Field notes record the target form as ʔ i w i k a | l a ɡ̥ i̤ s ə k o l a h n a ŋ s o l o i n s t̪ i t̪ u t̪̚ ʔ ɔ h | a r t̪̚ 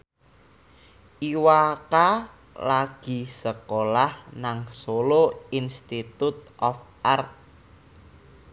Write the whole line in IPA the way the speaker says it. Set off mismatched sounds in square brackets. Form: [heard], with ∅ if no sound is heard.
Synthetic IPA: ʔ i w [a] k a | l a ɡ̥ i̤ s ə k o l a h n a ŋ s o l o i n s t̪ i t̪ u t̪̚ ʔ ɔ [f] | a r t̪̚

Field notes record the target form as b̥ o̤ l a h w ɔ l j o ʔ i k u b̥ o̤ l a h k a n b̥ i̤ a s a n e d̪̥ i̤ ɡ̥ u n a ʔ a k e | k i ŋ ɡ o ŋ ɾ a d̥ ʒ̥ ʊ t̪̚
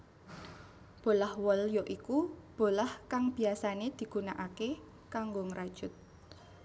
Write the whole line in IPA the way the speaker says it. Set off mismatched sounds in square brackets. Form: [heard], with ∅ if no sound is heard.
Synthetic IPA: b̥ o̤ l a h w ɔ l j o ʔ i k u b̥ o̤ l a h k a [ŋ] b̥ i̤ a s a n e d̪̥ i̤ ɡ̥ u n a ʔ a k e | k [a] ŋ ɡ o ŋ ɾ a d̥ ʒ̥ ʊ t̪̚

